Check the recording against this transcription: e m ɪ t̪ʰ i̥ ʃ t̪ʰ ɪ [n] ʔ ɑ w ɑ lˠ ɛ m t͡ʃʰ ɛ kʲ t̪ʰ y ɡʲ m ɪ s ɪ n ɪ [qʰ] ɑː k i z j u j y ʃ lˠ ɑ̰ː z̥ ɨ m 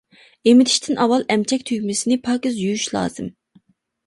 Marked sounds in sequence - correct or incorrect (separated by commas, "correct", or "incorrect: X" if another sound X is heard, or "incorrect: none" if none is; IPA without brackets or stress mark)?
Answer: correct, incorrect: pʰ